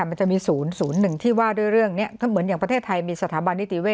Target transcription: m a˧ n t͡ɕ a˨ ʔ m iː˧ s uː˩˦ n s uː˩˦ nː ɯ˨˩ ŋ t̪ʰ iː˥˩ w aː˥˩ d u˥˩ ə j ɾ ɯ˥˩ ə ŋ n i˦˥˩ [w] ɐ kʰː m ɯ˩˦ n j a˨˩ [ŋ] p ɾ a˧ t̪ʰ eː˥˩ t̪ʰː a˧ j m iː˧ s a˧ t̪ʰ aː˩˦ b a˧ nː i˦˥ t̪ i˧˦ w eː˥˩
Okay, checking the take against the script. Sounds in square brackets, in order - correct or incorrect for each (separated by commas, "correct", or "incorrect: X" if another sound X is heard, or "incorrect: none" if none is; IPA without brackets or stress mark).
incorrect: none, correct